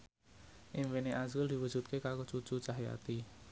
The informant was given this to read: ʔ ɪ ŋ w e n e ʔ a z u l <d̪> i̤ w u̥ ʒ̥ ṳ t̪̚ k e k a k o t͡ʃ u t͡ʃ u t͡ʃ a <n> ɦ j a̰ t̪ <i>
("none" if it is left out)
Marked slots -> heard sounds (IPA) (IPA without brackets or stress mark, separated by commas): d̪, none, i